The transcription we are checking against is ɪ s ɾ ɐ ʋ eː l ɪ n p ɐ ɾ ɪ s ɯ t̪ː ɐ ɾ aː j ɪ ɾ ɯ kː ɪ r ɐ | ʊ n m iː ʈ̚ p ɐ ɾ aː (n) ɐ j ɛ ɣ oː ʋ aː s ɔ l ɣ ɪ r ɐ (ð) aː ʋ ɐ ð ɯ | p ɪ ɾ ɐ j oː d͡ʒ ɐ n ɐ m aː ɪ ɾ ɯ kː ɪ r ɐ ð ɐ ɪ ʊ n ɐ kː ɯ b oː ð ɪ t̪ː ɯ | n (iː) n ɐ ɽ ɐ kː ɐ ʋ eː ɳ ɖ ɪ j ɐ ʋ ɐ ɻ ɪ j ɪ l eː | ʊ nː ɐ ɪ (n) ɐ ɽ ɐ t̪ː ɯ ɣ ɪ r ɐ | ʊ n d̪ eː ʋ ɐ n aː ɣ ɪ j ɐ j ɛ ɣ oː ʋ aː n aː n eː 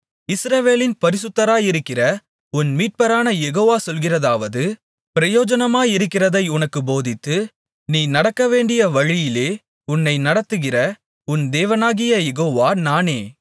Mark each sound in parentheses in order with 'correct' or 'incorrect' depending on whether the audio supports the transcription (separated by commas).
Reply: correct, correct, correct, correct